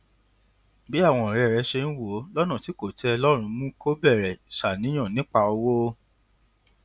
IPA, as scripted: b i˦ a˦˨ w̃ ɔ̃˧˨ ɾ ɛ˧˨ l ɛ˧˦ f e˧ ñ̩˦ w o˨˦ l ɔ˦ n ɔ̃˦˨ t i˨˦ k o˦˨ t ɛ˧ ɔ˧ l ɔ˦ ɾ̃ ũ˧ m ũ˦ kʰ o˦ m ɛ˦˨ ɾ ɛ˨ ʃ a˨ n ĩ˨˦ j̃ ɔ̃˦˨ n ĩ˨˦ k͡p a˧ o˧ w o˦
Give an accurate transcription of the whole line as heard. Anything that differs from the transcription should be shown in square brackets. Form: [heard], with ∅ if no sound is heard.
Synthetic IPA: b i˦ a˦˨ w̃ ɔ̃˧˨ ɾ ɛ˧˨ [ɾ] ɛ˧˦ [ʃ] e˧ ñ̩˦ w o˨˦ l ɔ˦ n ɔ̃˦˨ t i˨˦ k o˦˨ t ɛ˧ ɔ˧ l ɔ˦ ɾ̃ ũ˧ m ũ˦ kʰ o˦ [b] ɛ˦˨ ɾ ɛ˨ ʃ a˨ n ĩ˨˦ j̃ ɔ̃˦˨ n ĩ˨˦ k͡p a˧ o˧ w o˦